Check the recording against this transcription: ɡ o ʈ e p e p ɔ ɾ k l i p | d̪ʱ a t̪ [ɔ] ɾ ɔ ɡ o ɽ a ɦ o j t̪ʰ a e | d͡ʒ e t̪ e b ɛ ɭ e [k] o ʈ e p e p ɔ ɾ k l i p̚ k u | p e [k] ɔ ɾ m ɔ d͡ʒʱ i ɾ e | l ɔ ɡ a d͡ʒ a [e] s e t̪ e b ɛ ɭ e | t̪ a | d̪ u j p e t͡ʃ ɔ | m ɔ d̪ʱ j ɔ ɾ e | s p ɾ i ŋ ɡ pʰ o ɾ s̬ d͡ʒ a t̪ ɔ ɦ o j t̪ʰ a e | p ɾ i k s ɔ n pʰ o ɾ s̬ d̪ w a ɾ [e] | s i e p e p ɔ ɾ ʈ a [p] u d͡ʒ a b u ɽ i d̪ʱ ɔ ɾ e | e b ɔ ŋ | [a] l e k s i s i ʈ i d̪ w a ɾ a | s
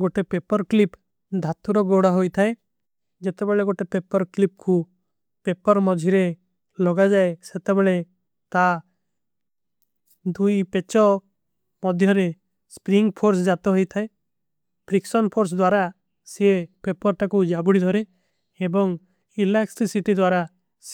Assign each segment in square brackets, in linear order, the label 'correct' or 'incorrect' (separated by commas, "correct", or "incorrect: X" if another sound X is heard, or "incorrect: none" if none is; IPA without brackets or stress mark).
incorrect: u, incorrect: ɡ, incorrect: p, correct, incorrect: a, incorrect: k, incorrect: i